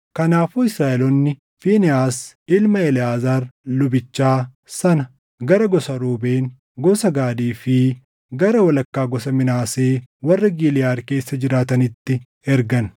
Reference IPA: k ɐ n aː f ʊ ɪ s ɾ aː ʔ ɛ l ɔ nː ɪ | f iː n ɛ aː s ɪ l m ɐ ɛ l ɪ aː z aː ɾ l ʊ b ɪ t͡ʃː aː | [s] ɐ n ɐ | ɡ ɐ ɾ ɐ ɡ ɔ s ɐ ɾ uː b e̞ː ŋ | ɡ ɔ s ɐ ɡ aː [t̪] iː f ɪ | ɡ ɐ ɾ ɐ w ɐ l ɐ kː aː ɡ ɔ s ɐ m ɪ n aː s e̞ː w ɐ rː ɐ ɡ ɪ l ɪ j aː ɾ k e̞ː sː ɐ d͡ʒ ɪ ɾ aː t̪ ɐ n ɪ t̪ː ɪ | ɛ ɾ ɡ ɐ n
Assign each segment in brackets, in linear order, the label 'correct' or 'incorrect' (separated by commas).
correct, incorrect